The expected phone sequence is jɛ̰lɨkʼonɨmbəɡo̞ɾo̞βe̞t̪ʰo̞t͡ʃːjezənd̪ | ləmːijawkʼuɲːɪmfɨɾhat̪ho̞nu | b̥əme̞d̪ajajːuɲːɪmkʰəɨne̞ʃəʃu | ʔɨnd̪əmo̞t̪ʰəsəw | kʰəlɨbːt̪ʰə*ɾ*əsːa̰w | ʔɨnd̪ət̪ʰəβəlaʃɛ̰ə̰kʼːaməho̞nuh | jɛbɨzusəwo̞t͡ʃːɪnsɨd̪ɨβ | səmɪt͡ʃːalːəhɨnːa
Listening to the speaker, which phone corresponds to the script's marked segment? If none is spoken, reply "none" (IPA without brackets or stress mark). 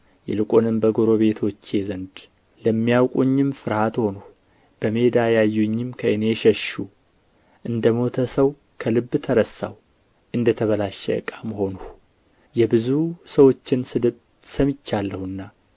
ɾ